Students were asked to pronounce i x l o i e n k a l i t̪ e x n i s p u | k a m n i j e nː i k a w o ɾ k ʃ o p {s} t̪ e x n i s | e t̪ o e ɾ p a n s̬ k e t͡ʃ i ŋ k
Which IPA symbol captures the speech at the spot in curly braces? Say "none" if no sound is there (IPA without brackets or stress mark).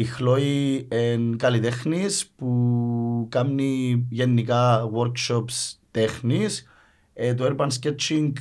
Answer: s